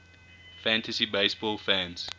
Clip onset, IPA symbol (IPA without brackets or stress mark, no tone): f